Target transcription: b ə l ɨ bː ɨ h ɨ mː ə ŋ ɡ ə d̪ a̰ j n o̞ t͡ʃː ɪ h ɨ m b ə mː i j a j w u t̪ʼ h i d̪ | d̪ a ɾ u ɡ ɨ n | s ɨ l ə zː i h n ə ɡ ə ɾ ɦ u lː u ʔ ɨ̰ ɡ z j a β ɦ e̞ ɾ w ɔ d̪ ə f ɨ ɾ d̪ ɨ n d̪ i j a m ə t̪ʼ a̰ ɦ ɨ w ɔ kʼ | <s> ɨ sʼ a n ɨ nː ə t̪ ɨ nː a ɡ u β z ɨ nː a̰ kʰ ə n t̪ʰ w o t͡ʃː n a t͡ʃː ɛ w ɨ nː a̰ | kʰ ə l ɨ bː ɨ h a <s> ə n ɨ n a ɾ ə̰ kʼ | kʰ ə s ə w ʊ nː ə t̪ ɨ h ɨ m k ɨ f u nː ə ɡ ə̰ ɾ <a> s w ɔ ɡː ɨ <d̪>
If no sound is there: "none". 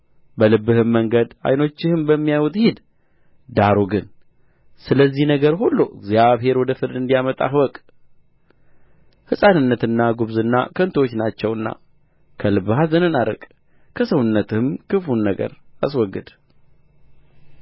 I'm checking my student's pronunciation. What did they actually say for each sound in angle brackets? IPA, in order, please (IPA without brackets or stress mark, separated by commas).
h, z, a, d̪